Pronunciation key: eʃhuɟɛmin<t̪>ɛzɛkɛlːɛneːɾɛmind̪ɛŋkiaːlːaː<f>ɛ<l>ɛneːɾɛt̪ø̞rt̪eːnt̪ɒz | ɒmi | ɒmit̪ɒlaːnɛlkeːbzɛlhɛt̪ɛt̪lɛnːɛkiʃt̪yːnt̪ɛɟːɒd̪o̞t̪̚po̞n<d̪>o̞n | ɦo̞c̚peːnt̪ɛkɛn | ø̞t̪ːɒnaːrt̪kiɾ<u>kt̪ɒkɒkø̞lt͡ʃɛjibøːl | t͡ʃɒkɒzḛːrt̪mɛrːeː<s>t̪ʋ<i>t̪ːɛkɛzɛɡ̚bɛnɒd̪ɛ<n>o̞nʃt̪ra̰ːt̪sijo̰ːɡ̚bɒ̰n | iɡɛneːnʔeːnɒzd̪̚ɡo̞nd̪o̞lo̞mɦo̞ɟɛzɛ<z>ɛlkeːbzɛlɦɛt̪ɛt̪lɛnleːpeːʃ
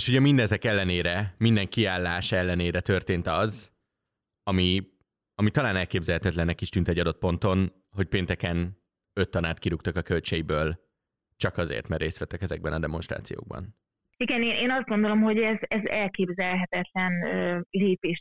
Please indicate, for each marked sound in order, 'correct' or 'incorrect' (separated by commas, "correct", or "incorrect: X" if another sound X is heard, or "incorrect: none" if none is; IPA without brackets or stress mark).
incorrect: d̪, incorrect: ʃ, incorrect: lː, incorrect: t̪, correct, correct, incorrect: ɛ, incorrect: m, correct